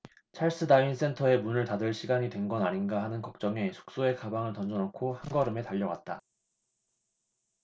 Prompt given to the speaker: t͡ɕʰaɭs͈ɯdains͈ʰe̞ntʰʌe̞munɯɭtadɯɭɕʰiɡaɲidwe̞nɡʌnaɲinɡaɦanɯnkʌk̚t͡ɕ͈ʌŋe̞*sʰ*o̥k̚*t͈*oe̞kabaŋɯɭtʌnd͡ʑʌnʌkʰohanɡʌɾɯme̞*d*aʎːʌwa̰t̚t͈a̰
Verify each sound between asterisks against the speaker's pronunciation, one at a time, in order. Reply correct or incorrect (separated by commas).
correct, incorrect, incorrect